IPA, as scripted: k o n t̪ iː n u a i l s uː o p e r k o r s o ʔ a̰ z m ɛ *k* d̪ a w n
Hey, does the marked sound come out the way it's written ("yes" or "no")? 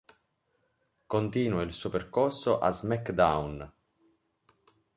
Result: yes